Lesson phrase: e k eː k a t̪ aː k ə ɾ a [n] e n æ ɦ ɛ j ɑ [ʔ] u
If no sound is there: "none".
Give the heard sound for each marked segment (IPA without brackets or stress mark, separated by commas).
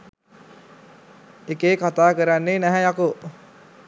nː, k